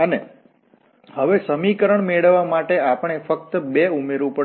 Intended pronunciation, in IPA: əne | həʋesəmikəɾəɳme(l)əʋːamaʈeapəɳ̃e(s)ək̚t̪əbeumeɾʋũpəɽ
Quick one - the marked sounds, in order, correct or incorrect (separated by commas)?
incorrect, incorrect